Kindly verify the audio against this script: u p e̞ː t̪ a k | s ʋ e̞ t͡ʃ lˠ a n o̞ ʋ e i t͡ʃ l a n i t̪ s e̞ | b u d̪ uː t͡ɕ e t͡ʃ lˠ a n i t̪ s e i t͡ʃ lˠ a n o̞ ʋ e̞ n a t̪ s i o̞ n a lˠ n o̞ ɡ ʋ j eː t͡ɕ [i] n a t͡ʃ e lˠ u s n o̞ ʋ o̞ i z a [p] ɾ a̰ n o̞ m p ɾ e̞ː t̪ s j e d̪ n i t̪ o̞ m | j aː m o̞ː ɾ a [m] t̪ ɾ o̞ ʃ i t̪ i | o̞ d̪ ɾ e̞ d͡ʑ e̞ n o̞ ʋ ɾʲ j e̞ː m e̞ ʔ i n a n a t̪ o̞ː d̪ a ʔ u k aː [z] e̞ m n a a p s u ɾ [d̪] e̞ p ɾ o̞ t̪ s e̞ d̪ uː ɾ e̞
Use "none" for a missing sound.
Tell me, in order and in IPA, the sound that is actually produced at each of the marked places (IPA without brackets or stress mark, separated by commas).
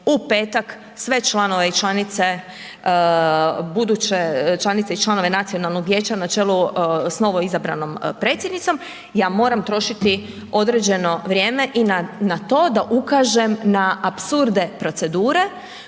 a, b, m, ʒ, d̪